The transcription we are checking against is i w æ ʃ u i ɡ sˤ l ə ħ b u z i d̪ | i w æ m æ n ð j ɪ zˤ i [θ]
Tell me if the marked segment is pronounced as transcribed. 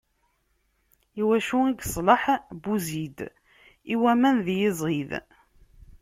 no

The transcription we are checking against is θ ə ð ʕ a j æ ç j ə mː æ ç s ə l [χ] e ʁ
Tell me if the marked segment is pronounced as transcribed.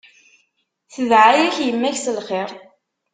yes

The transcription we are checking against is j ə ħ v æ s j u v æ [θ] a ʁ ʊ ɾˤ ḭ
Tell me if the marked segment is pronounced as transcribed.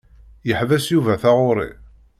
yes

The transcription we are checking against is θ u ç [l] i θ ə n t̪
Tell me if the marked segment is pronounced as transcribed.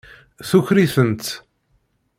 no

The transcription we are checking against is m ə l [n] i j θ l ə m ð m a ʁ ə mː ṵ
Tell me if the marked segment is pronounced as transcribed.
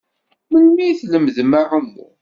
no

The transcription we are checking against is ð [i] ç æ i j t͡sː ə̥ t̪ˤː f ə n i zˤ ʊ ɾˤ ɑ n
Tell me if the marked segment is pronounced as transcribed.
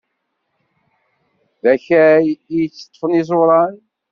no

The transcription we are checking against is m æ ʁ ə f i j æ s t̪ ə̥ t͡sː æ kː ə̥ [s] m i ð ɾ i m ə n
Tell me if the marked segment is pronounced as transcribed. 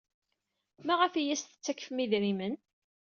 no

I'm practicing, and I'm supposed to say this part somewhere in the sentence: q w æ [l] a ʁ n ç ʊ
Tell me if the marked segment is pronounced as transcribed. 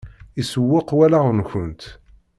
yes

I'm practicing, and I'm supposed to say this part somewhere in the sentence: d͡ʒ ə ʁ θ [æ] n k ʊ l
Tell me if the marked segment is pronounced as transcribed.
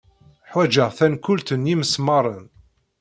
yes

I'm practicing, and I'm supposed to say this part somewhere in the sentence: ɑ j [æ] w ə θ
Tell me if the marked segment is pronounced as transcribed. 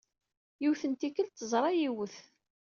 no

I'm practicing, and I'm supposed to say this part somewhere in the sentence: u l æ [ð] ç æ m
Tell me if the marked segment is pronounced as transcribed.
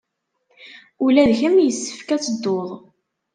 yes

